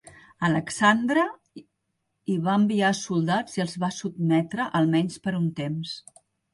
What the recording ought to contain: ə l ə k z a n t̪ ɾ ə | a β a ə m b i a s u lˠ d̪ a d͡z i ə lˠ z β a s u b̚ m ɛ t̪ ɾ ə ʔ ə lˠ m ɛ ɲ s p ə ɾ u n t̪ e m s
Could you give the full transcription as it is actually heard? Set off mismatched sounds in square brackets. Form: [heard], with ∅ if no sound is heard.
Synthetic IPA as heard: ə l ə k [s] a n [d̪] ɾ ə | [i] β a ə m b i a s u lˠ d̪ a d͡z i ə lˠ z β a s u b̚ m ɛ t̪ ɾ ə ʔ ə lˠ m ɛ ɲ s p ə ɾ u n t̪ e m s